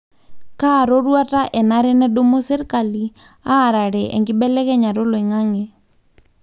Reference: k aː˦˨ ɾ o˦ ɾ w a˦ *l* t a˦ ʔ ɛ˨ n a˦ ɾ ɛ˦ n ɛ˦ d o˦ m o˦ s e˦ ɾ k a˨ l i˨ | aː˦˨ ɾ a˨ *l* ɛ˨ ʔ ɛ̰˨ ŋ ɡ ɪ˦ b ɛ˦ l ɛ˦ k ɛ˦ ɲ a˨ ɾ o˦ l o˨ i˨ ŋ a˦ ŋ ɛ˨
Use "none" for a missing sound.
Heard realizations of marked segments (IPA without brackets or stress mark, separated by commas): none, ɾ